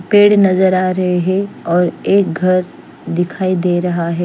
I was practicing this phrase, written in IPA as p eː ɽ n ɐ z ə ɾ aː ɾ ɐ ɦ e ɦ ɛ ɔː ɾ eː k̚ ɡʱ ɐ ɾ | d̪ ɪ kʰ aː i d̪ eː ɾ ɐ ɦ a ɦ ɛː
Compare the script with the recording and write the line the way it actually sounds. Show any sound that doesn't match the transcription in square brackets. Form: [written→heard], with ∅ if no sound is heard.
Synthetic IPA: p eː ɽ n ɐ z ə ɾ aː ɾ ɐ ɦ e ɦ ɛ ɔː ɾ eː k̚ ɡʱ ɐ ɾ | d̪ ɪ kʰ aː i d̪ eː ɾ ɐ ɦ a ɦ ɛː